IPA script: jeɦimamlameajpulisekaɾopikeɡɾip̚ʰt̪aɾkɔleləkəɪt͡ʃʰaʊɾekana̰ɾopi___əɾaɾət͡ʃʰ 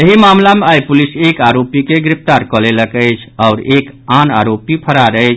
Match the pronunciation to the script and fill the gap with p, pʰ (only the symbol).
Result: pʰ